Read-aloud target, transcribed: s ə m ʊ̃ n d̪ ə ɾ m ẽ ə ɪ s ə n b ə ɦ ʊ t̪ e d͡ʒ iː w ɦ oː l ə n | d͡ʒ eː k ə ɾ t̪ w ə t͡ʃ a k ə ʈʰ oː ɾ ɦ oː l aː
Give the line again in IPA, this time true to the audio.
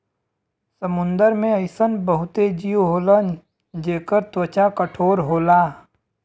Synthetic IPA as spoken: s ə m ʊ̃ n d̪ ə ɾ m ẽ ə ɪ s ə n b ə ɦ ʊ t̪ e d͡ʒ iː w ɦ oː l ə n | d͡ʒ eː k ə ɾ t̪ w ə t͡ʃ a k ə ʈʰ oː ɾ ɦ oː l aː